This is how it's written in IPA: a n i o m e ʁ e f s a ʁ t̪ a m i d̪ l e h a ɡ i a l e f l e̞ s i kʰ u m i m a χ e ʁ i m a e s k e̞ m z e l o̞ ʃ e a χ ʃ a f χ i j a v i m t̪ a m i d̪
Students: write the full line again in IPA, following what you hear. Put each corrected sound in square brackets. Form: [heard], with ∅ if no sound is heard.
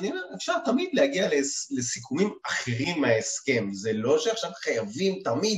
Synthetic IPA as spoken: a n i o m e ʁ e f [ʃ] a ʁ t̪ a m i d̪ l e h a ɡ i a l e [∅] l e̞ s i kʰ u m i m a χ e ʁ i m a e s k e̞ m z e l o̞ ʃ e a χ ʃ a [v] χ [a] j a v i m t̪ a m i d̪